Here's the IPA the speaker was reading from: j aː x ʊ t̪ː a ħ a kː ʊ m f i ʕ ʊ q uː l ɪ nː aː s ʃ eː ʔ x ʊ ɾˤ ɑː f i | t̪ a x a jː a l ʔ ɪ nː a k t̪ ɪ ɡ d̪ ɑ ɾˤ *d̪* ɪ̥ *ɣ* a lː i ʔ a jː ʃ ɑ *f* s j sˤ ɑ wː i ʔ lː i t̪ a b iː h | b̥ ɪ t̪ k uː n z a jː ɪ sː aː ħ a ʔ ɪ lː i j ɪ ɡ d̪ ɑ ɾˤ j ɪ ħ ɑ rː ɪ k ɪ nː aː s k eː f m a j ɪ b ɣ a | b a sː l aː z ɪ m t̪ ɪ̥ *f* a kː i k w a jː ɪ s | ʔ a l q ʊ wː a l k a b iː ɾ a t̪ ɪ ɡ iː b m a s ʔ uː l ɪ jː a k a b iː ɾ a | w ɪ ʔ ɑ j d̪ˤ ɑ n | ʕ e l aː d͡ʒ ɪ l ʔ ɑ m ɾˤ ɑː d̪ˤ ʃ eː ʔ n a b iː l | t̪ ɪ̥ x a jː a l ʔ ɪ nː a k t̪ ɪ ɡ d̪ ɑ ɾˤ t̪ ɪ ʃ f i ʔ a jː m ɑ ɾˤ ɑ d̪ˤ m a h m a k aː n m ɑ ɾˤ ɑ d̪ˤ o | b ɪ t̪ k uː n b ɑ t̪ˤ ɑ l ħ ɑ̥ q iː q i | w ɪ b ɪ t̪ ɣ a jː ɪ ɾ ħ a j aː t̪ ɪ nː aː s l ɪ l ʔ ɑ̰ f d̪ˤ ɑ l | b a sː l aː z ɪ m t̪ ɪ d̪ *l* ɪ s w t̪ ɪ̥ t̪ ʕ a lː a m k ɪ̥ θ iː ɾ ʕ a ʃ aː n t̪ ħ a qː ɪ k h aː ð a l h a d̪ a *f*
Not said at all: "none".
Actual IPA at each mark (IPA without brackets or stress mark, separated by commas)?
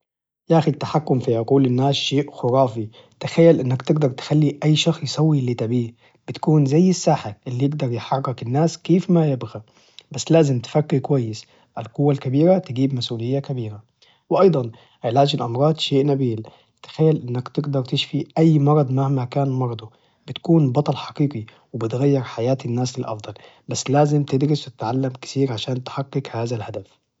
t̪, x, x, f, ɾ, f